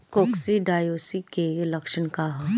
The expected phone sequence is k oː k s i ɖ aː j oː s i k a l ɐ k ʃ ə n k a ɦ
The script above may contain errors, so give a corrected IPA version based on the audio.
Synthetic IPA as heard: k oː k s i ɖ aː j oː s i k e l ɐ k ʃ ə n k a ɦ